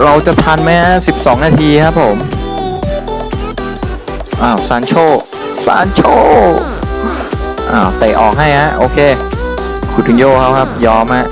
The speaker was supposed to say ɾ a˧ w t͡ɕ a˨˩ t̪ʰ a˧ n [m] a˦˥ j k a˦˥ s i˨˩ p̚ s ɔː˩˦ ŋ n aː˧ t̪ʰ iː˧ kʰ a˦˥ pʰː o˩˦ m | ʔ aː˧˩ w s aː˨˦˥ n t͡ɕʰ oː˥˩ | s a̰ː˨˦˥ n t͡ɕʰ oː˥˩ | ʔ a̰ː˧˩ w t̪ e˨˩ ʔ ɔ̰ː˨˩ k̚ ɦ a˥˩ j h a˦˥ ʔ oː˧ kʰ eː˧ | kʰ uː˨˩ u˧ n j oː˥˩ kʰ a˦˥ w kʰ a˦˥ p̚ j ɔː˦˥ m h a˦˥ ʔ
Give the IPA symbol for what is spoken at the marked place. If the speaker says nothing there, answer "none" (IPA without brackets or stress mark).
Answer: m